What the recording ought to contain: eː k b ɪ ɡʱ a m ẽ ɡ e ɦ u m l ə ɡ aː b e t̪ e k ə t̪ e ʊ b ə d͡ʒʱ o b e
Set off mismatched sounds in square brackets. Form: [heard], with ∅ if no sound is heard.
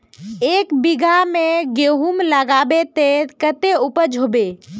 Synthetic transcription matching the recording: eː k b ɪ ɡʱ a m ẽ ɡ e ɦ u m l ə ɡ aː b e t̪ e k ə t̪ e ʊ [p] ə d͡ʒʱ o b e